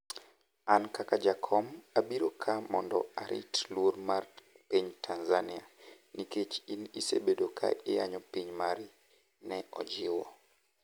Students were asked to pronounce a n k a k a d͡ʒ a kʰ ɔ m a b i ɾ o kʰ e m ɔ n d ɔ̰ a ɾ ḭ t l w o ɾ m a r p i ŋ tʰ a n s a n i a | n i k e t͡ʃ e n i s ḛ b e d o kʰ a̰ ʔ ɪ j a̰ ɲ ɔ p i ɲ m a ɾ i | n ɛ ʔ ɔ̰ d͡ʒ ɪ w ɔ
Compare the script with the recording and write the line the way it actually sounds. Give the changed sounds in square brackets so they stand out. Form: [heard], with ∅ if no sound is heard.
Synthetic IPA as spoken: a n k a k a d͡ʒ a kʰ ɔ m a b i ɾ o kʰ [a] m ɔ n d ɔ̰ a ɾ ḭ t l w o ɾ m a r p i [ɲ] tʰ a n [z] a n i a | n i k e t͡ʃ [i] n i s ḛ b e d o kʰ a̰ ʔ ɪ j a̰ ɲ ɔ p i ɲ m a ɾ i | n ɛ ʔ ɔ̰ d͡ʒ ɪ w ɔ